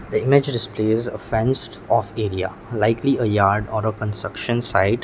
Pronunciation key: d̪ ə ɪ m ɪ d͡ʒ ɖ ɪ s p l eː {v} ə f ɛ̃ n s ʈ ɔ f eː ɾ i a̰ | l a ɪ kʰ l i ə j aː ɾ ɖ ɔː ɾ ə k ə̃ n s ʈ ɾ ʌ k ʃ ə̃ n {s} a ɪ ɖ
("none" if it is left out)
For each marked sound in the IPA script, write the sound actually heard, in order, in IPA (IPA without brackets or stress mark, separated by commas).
z, s